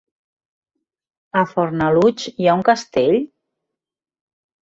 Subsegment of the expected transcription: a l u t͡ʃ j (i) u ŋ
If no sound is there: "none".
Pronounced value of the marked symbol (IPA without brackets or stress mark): a